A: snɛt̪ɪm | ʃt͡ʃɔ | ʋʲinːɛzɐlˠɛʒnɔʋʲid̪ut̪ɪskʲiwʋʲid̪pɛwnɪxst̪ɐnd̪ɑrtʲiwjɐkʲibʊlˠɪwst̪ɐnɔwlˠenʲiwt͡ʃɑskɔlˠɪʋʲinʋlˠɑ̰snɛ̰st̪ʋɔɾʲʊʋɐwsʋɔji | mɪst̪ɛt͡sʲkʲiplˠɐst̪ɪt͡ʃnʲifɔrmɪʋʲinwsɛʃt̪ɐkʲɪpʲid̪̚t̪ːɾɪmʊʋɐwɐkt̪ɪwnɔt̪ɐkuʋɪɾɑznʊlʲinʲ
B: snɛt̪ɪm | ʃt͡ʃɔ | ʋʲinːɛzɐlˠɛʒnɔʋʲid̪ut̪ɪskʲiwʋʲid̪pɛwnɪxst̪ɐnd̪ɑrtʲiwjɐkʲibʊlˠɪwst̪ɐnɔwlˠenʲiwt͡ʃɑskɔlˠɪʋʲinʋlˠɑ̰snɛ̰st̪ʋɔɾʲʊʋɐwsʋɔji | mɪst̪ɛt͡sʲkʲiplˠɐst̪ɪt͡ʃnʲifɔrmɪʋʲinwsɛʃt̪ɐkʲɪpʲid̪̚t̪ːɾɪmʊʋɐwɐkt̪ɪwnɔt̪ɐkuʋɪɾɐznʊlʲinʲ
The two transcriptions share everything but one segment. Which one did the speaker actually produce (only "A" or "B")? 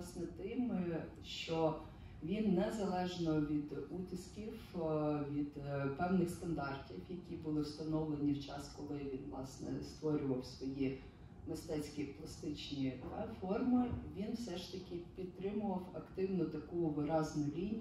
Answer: A